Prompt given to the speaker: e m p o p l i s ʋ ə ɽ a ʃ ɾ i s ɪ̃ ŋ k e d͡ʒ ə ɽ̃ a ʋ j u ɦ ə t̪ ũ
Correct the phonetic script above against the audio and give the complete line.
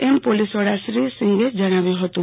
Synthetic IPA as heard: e m p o l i s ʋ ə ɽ a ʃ ɾ i s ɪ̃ ŋ ɡ e d͡ʒ ə ɽ̃ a ʋ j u ɦ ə t̪ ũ

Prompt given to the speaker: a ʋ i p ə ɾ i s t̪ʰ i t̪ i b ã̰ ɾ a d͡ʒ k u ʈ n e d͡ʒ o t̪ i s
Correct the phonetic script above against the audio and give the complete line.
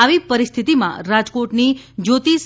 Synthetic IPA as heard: a ʋ i p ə ɾ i s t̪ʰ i t̪ i m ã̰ ɾ a d͡ʒ k o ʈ n i d͡ʒ o t̪ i s

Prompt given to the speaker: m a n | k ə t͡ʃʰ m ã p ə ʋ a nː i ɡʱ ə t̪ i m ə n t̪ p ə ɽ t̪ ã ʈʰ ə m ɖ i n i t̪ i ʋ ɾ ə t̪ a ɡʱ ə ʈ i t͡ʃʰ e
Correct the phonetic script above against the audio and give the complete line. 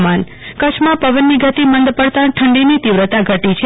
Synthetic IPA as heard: m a n | k ə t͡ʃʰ m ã p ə ʋ ə nː i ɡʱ ə t̪ i m ə n d̪ p ə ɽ t̪ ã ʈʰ ə ɳ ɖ i n i t̪ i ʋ ɾ ə t̪ a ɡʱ ə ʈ i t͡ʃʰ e

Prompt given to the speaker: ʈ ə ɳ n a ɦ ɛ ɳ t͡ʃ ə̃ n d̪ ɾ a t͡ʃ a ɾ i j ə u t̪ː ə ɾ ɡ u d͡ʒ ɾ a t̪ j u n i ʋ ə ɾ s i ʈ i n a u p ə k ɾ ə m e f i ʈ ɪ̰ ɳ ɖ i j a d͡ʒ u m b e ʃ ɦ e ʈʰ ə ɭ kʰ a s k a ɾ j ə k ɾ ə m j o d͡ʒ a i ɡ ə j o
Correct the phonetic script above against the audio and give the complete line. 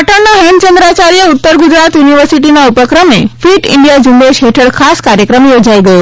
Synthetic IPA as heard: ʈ ə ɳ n a ɦ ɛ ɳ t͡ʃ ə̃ n d̪ ɾ a t͡ʃ a ɾ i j ə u t̪ː ə ɾ ɡ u d͡ʒ ɾ a t̪ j u n i ʋ ə ɾ s i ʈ i n a u p ə k ɾ ə m e f i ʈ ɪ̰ ɳ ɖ i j a d͡ʒ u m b e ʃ ɦ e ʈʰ ə ɭ kʰ a s k a ɾ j ə k ɾ ə m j o d͡ʒ a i ɡ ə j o

